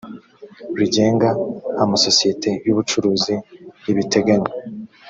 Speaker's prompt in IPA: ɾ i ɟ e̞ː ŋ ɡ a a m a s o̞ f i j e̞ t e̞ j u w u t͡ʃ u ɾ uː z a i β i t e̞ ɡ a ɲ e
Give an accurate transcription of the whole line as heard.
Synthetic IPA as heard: ɾ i ɟ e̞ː ŋ ɡ a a m a s o̞ s i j e̞ t e̞ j u β u t͡ʃ u ɾ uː z i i β i t e̞ ɡ a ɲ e